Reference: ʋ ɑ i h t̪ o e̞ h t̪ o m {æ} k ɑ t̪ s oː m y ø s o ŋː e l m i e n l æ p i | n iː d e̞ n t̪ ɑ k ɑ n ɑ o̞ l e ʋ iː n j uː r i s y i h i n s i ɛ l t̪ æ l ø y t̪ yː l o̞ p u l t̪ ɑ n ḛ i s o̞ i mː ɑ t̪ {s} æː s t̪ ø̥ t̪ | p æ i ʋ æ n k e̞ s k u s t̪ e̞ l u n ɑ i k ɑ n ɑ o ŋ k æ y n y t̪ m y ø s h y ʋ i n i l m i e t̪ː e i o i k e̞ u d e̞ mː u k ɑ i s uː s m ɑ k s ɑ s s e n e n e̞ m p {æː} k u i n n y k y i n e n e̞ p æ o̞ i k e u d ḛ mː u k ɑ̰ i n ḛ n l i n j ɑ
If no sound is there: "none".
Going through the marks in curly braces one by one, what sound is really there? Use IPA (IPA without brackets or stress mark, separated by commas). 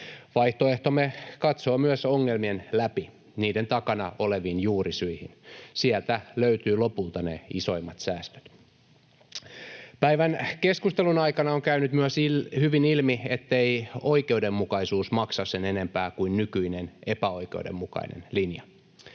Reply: e, s, æː